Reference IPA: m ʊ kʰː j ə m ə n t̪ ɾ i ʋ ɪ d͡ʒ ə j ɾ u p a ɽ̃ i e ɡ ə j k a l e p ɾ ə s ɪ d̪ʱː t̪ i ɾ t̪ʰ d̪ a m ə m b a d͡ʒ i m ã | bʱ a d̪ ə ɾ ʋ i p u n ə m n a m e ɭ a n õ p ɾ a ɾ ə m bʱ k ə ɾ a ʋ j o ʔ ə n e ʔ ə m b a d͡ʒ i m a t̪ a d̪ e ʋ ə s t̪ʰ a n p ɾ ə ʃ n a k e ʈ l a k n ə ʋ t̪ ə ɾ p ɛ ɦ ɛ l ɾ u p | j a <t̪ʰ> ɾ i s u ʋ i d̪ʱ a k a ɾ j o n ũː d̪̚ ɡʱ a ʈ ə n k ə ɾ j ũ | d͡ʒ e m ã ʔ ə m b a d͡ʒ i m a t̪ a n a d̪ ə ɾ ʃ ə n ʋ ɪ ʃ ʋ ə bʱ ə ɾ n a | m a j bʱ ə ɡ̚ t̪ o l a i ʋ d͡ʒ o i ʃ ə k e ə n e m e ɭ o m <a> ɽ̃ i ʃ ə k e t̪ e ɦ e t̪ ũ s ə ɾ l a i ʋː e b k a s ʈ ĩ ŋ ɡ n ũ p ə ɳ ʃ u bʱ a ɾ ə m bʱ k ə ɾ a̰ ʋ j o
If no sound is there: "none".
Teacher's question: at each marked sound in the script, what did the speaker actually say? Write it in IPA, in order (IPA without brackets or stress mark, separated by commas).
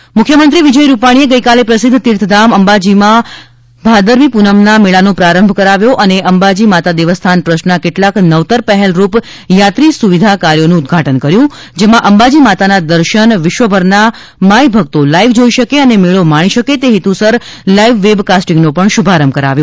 t̪, a